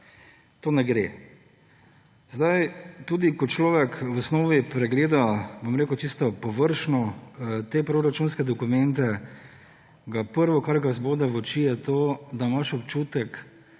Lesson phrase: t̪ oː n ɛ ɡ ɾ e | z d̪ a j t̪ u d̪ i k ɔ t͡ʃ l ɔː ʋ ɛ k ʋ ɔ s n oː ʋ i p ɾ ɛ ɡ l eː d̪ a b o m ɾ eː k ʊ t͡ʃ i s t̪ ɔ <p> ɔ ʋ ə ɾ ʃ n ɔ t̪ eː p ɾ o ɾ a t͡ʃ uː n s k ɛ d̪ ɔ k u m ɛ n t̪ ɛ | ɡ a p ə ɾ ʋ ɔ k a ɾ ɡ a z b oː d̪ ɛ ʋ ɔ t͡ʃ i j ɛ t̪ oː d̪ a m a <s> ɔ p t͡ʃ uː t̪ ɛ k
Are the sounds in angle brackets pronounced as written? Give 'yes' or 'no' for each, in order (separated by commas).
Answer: yes, no